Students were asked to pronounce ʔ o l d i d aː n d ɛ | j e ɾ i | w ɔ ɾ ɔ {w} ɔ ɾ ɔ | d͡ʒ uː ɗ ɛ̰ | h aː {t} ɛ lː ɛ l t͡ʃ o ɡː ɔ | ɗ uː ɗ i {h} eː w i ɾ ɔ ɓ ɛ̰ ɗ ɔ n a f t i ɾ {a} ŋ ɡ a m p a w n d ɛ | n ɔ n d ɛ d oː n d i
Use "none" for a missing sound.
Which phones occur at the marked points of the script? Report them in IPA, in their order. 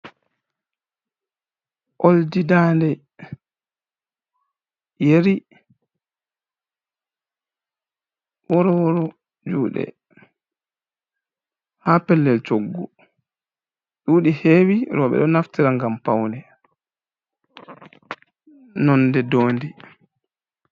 w, p, h, a

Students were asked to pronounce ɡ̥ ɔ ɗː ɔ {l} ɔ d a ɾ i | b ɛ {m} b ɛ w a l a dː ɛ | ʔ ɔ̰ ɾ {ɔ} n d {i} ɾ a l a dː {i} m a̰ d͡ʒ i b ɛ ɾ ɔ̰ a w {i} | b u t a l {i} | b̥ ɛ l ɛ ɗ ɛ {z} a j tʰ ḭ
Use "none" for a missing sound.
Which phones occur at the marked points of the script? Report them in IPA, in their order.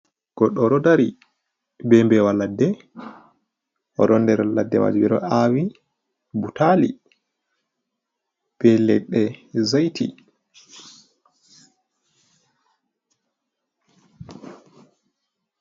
ɾ, m, ɔ, ɛ, ɛ, i, i, z

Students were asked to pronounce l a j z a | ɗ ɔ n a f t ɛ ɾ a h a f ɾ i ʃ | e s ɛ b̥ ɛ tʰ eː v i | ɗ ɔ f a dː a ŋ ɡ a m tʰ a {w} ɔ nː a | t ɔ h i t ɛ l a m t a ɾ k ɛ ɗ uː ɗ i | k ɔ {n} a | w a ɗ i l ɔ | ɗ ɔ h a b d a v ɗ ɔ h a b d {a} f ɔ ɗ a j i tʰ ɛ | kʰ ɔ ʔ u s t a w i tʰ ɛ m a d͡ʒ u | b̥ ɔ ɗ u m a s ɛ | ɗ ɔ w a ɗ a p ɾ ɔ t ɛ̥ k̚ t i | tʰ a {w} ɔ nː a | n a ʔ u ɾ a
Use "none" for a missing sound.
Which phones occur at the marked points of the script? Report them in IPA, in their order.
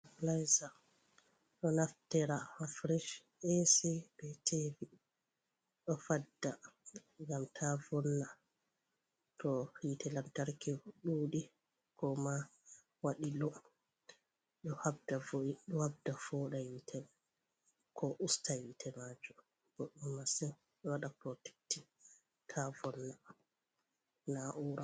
v, m, a, v

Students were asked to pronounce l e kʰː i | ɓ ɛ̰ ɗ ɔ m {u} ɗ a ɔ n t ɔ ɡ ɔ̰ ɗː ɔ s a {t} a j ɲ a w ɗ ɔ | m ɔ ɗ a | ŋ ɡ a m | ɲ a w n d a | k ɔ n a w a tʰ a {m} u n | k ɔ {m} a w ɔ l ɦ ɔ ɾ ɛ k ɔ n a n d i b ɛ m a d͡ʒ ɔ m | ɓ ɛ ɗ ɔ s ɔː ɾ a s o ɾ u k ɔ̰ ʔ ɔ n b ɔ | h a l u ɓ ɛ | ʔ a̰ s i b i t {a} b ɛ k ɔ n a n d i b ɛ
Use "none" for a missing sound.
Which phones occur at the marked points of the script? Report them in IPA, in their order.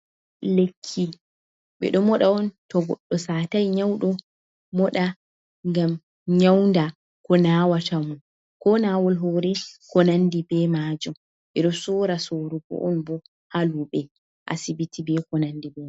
ɔ, t, m, n, i

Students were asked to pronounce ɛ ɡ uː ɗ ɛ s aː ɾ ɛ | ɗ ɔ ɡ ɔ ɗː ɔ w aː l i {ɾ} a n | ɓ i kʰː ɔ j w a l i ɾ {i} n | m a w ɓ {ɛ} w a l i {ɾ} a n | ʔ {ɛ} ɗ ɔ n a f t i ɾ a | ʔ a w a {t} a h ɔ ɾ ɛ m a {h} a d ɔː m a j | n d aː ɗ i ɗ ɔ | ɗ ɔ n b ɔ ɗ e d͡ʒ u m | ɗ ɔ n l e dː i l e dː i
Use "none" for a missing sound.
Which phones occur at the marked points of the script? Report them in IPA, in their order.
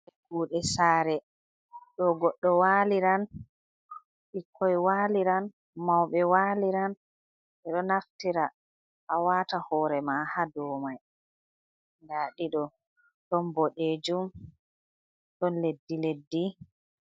ɾ, a, ɛ, ɾ, ɛ, t, h

